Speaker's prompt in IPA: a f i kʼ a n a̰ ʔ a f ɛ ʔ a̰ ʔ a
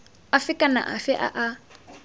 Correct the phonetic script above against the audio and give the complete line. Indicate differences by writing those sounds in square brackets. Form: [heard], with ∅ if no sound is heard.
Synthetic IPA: a f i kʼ a n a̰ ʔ a f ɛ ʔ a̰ ʔ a